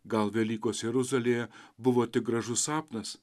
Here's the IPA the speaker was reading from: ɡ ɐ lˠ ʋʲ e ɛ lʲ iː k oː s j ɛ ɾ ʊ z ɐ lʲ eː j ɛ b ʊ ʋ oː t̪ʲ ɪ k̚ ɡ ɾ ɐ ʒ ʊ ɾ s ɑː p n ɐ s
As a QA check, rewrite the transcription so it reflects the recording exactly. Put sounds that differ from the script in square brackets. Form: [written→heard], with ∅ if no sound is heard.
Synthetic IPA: ɡ ɐ lˠ ʋʲ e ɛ lʲ iː k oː s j ɛ ɾ ʊ z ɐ lʲ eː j ɛ b ʊ ʋ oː t̪ʲ ɪ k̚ ɡ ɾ ɐ ʒ ʊ [ɾ→∅] s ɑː p n ɐ s